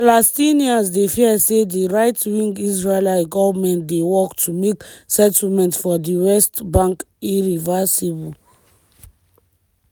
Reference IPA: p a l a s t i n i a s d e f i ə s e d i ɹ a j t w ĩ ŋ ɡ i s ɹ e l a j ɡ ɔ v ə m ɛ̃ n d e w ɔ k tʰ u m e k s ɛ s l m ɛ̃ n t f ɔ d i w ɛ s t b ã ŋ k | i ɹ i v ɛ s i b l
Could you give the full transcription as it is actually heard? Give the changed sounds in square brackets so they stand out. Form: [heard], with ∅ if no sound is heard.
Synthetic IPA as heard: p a l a s t i n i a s d e f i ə s e d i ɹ a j t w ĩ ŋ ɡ i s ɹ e l a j ɡ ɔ v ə m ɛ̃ n d e w ɔ k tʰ u m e k s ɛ [t] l m ɛ̃ n t f ɔ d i w ɛ s t b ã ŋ k | i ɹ i v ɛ s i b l